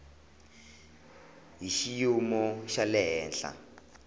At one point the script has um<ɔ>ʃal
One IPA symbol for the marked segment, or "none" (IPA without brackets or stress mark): ɔ